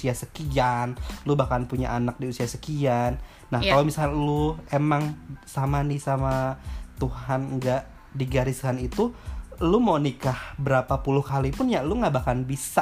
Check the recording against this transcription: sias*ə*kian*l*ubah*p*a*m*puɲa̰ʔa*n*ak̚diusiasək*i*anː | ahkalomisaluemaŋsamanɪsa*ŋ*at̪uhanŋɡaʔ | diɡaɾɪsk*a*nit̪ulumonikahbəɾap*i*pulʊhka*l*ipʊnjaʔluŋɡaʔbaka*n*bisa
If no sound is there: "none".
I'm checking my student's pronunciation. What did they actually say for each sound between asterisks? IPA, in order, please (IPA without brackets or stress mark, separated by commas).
ə, l, k, n, n, i, m, a, a, l, n